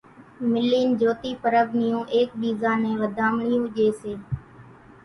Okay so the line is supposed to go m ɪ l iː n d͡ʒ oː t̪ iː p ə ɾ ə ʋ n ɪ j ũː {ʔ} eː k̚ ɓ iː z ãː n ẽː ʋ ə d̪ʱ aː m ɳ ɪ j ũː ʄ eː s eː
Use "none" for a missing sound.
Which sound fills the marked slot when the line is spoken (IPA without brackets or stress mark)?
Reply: ʔ